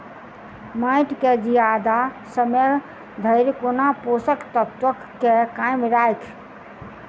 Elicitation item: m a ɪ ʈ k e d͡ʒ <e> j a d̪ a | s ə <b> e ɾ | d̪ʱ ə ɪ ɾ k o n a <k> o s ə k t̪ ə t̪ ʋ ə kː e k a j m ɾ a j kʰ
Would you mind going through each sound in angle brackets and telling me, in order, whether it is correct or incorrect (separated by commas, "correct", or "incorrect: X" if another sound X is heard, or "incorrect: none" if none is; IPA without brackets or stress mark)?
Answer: incorrect: i, incorrect: m, incorrect: p